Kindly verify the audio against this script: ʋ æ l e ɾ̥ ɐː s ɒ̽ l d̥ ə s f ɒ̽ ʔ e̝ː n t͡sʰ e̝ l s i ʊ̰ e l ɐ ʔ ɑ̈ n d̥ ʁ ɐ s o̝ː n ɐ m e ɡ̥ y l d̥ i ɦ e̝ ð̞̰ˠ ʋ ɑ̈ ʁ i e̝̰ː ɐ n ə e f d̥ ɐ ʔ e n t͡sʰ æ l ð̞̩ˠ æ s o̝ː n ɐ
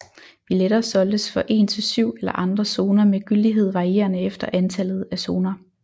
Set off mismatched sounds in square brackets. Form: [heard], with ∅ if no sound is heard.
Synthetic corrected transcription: ʋ [i] l e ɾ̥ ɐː s ɒ̽ l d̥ ə s f ɒ̽ ʔ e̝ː n t͡sʰ e̝ l s [y] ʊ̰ e l ɐ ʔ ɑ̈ n d̥ ʁ ɐ s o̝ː n ɐ m e ɡ̥ y l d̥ i ɦ e̝ ð̞̰ˠ ʋ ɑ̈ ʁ i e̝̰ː ɐ n ə e f d̥ ɐ ʔ [æ] n t͡sʰ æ l ð̞̩ˠ æ s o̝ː n ɐ